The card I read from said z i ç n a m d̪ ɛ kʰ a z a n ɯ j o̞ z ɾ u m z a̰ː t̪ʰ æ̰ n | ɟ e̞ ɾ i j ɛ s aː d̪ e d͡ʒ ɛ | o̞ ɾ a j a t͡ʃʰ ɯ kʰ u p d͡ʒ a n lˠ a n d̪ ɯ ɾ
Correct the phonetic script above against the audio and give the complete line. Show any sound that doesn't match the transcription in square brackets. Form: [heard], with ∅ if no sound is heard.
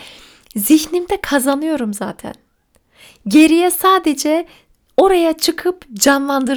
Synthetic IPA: z i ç n [i] m d̪ ɛ kʰ a z a n ɯ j o̞ [∅] ɾ u m z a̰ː t̪ʰ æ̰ n | ɟ e̞ ɾ i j ɛ s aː d̪ e d͡ʒ ɛ | o̞ ɾ a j a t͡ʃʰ ɯ kʰ [ɯ] p d͡ʒ a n lˠ a n d̪ ɯ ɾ